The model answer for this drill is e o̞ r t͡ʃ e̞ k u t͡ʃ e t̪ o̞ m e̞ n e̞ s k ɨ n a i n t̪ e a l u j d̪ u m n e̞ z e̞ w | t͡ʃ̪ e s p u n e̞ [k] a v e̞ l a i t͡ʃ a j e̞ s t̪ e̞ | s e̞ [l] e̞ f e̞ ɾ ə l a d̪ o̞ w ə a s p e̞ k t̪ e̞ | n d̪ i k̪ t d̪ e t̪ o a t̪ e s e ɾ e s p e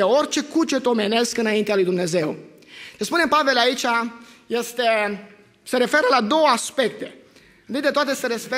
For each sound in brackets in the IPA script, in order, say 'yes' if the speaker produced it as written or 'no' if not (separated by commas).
no, no